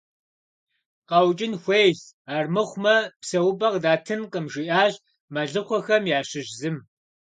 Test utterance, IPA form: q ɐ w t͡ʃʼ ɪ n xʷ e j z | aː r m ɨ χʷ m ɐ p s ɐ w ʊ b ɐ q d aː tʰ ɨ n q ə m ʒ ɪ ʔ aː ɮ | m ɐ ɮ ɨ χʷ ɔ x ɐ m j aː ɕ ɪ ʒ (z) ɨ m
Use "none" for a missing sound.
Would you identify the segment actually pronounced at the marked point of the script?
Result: z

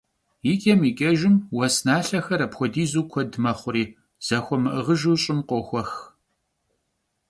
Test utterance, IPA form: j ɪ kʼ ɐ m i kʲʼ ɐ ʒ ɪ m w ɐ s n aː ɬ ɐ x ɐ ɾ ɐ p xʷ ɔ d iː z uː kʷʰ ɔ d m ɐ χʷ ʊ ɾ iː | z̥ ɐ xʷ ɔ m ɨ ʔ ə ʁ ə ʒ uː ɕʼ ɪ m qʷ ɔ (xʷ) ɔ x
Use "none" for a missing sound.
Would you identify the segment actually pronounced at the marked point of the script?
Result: xʷ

